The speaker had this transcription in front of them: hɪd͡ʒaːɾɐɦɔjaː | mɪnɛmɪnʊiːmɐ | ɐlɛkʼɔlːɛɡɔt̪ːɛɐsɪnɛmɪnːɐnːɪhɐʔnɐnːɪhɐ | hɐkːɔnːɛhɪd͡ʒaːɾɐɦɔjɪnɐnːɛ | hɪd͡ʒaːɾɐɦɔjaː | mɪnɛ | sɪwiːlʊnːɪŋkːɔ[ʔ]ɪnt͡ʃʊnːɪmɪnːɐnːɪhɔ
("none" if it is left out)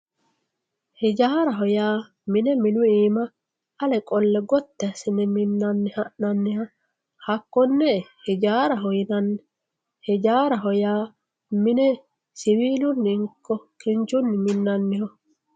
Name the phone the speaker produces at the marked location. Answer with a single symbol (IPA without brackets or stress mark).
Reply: k